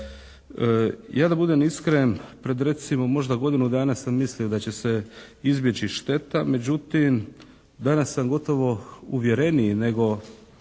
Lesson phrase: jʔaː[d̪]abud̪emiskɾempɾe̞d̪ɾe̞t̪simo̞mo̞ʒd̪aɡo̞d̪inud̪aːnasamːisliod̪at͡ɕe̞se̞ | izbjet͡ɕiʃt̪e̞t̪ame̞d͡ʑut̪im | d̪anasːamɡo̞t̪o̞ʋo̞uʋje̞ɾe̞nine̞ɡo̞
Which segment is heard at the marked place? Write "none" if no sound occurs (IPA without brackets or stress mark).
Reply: d̪